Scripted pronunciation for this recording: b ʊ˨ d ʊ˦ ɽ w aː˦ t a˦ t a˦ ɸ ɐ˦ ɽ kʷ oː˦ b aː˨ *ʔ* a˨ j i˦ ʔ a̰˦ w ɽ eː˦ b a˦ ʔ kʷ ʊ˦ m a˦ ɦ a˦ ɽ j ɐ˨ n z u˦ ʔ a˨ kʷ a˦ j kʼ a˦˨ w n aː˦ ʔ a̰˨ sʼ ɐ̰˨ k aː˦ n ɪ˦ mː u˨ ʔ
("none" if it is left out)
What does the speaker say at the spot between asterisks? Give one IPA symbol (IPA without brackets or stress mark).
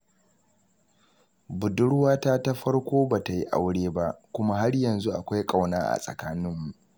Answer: t